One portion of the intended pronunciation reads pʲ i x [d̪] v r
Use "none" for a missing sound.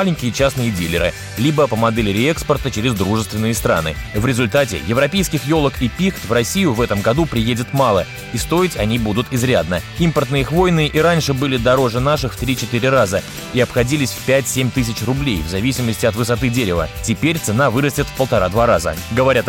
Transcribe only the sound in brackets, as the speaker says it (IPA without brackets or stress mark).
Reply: t̪